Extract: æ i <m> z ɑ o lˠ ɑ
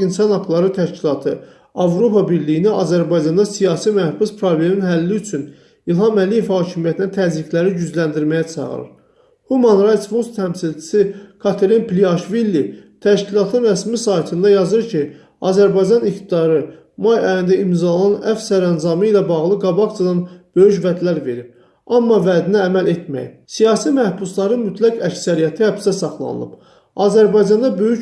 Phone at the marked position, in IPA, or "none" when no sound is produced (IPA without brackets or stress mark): m